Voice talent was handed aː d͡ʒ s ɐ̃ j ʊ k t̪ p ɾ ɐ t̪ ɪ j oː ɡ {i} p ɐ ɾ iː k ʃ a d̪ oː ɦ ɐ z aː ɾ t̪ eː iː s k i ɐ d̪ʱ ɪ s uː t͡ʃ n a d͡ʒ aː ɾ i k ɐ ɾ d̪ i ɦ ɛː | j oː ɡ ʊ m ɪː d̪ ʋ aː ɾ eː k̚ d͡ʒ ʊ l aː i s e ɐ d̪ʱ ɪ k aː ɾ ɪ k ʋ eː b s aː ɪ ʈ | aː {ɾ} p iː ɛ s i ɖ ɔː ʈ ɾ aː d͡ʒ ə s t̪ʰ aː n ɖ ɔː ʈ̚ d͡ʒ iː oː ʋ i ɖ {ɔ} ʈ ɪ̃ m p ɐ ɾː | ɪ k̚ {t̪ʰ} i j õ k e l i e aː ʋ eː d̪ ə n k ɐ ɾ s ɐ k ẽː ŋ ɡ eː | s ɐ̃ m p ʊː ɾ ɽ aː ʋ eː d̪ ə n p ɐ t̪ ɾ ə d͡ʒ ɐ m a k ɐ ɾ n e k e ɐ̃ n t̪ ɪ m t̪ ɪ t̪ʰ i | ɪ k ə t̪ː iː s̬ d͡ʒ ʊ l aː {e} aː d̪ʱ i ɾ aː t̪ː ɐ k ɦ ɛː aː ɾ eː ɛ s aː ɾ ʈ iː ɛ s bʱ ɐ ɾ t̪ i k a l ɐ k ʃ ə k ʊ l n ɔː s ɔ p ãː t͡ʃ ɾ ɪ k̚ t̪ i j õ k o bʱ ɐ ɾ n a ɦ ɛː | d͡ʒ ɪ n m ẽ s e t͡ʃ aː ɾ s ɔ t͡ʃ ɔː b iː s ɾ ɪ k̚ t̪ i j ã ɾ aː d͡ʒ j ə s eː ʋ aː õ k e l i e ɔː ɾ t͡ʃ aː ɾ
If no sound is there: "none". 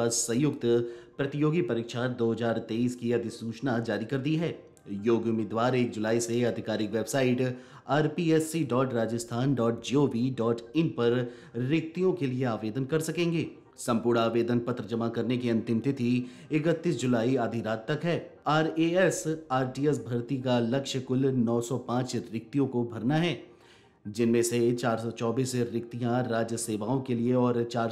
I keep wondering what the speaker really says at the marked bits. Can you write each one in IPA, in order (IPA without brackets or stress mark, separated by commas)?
i, ɾ, ɔː, t̪, i